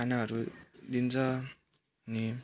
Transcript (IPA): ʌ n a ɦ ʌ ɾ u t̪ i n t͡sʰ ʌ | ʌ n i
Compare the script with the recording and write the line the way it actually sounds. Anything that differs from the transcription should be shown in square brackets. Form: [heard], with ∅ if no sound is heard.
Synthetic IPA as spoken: [a] n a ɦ ʌ ɾ u [d̪] i n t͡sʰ ʌ | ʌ n i